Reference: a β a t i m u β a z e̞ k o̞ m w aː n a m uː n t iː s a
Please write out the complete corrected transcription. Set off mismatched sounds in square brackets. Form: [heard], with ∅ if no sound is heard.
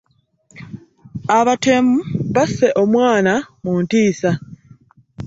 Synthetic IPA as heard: a β a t [e] m u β a [s] e̞ [ʔ] o̞ m w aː n a m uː n t iː s a